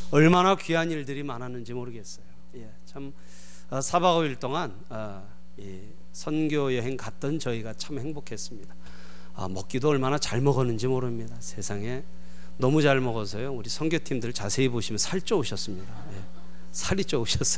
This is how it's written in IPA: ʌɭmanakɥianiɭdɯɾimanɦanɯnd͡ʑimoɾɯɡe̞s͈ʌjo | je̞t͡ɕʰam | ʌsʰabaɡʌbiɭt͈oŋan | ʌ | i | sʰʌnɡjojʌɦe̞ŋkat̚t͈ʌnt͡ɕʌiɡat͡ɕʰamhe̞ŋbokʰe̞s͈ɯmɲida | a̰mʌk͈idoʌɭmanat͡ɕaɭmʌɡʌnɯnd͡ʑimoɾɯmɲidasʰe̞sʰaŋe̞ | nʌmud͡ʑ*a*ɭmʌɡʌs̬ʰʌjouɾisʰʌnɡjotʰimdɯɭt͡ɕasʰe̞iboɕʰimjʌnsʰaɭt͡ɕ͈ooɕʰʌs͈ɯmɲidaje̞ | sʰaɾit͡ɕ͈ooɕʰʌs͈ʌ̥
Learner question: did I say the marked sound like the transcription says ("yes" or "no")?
yes